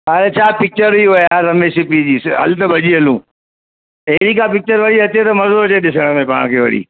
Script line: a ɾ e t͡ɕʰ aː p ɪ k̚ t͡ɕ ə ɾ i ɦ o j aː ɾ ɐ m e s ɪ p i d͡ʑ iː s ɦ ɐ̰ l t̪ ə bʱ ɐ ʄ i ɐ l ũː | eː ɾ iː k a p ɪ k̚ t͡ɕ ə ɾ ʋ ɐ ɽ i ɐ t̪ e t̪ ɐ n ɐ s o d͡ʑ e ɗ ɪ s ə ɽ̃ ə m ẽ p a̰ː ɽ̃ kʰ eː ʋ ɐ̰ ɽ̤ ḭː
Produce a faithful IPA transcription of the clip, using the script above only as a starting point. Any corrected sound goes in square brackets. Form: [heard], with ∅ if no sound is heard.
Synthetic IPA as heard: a ɾ e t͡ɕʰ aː p ɪ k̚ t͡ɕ ə ɾ i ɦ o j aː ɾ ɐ m e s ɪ p i d͡ʑ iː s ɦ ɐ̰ l t̪ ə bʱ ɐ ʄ i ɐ l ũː | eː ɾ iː k a p ɪ k̚ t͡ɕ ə ɾ ʋ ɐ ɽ i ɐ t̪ e t̪ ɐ [m] ɐ [z] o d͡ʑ e ɗ ɪ s ə ɽ̃ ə m ẽ p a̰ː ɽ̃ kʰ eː ʋ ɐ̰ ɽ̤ ḭː

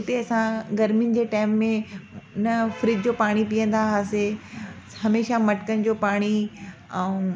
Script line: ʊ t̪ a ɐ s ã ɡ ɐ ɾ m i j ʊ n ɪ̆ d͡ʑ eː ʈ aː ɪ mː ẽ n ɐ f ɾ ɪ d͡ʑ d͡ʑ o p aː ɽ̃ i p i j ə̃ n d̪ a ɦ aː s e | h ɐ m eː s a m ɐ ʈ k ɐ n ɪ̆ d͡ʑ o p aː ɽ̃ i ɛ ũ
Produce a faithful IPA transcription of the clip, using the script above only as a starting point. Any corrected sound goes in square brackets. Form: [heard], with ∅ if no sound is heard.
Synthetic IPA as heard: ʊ t̪ [e] ɐ s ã ɡ ɐ ɾ m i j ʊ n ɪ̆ d͡ʑ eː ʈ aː ɪ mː ẽ n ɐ f ɾ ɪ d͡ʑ d͡ʑ o p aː ɽ̃ i p i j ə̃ n d̪ a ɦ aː s e | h ɐ m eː [ʃ] a m ɐ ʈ k [ə] n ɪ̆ d͡ʑ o p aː ɽ̃ i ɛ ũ

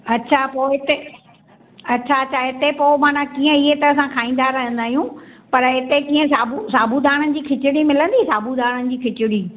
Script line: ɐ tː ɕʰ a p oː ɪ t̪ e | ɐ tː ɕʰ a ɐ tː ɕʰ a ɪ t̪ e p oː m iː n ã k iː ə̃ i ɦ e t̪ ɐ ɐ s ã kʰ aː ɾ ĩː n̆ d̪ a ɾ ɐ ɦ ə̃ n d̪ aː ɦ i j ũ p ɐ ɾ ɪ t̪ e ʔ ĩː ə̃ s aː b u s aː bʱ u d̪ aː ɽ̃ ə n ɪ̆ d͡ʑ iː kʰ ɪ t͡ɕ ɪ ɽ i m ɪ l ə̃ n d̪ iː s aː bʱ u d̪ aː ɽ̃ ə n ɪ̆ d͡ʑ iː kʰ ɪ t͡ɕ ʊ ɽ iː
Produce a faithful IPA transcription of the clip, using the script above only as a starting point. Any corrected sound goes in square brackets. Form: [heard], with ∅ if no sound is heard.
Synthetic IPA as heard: ɐ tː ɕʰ a p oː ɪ t̪ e | ɐ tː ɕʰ a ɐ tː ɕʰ a ɪ t̪ e p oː m [aː] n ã k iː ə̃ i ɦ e t̪ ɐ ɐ s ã kʰ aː [∅] ĩː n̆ d̪ a ɾ ɐ ɦ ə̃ n d̪ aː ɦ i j ũ p ɐ ɾ ɪ t̪ e [k] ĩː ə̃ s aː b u s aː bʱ u d̪ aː ɽ̃ ə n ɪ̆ d͡ʑ iː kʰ ɪ t͡ɕ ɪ ɽ i m ɪ l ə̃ n d̪ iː s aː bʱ u d̪ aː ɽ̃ ə n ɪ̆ d͡ʑ iː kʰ ɪ t͡ɕ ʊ ɽ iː

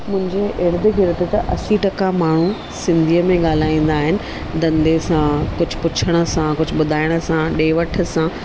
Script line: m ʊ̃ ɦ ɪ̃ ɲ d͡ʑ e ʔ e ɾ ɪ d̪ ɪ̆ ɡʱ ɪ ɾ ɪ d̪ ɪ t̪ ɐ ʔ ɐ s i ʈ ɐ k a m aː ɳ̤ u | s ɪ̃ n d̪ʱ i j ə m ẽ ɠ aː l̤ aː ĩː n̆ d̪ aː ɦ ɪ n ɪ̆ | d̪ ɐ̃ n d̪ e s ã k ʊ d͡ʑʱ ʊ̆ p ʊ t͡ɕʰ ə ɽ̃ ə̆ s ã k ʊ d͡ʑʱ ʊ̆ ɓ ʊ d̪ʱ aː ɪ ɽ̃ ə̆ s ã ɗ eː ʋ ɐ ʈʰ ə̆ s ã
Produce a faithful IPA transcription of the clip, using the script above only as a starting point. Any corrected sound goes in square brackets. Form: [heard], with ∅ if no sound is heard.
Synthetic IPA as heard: m ʊ̃ ɦ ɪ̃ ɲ d͡ʑ e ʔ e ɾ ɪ d̪ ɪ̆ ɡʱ ɪ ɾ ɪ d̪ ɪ t̪ ɐ ʔ ɐ s i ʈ ɐ k a m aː ɳ̤ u | s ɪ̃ n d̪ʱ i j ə m ẽ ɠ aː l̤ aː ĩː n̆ d̪ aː ɦ ɪ n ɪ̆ | d̪ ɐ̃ n d̪ e s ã k ʊ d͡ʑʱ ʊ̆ p ʊ t͡ɕʰ ə ɽ̃ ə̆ s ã k ʊ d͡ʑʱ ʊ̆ ɓ ʊ d̪ʱ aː ɪ ɽ̃ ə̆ s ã ɗ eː ʋ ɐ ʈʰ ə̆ s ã

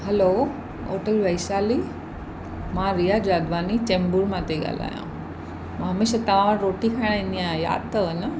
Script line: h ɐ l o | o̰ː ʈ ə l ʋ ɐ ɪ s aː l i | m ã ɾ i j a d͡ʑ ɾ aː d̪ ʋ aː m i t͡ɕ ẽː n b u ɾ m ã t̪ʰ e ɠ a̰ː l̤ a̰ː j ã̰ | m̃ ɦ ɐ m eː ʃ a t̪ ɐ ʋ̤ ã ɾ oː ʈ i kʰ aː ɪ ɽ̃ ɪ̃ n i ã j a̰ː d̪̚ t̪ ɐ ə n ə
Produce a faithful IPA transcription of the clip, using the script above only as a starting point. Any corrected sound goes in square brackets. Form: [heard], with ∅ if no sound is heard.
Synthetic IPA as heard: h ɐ l o | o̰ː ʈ ə l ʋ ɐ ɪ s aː l i | m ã ɾ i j a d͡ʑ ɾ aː d̪ ʋ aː [n] i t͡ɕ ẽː [m] b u ɾ m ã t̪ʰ e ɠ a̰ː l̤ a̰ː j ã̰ | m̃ ɦ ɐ m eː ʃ a t̪ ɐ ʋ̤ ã ɾ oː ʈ i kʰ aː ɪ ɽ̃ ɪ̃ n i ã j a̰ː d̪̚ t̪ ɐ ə n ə

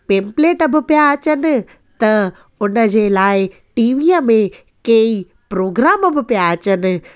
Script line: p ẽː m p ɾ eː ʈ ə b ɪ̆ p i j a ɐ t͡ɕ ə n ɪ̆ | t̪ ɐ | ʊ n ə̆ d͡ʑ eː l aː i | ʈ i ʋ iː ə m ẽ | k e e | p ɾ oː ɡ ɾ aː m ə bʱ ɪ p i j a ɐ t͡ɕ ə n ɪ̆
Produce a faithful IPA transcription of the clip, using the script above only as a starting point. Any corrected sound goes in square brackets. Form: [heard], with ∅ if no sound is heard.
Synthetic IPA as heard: p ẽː m p [l] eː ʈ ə b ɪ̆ p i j a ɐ t͡ɕ ə n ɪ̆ | t̪ ɐ | ʊ n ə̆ d͡ʑ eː l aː [ɪ] | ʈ [iː] ʋ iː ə m ẽ | k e [i] | p ɾ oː ɡ ɾ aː m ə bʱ ɪ p i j a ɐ t͡ɕ ə n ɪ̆

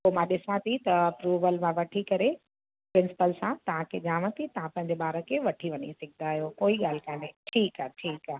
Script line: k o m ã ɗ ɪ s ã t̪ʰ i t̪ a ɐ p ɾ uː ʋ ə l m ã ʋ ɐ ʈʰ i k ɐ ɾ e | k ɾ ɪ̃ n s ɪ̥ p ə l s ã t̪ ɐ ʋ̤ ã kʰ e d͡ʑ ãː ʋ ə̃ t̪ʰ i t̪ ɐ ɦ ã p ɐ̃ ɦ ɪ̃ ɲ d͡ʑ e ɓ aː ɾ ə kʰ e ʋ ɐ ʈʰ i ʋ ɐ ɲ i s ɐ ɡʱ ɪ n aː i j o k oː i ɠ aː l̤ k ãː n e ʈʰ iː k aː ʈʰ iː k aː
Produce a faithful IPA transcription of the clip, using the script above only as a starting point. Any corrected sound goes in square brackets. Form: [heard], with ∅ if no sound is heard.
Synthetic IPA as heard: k o m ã ɗ ɪ s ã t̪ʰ i t̪ [ɐ] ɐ p ɾ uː ʋ ə l m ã ʋ ɐ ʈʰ i k ɐ ɾ e | [p] ɾ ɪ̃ n s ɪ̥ p ə l s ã t̪ ɐ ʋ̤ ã kʰ e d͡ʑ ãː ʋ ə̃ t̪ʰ i t̪ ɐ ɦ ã p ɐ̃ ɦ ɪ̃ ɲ d͡ʑ e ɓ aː ɾ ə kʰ e ʋ ɐ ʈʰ i ʋ ɐ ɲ i s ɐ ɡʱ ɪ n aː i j o k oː i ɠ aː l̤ k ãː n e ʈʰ iː k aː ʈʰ iː k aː

